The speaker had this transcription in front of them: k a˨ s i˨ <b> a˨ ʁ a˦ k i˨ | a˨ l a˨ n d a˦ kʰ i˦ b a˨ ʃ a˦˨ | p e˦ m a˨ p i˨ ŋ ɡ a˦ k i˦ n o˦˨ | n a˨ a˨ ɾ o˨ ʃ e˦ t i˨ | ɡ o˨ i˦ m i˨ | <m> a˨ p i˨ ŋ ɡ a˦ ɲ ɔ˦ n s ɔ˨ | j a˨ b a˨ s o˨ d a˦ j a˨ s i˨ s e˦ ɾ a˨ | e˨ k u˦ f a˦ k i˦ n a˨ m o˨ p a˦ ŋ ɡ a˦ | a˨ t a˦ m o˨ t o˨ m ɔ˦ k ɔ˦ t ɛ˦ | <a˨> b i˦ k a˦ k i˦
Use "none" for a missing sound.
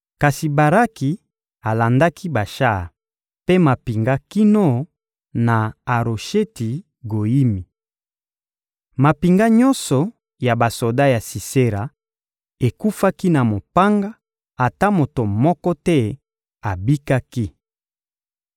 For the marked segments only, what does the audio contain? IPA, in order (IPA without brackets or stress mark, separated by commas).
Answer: b, m, a˨